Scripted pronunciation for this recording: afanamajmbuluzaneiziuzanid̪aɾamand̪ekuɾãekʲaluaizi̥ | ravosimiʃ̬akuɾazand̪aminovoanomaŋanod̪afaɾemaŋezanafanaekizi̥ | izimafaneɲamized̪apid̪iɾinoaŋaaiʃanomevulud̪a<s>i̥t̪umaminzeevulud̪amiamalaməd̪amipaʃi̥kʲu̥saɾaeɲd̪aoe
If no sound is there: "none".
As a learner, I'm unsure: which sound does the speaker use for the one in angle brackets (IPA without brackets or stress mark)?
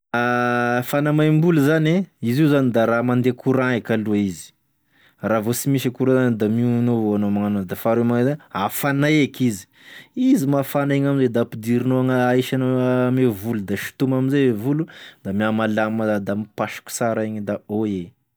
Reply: ʃ